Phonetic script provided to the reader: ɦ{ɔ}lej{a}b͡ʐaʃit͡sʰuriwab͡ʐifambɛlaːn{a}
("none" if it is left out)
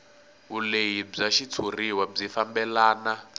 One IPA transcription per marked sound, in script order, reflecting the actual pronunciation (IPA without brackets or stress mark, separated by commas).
u, i, a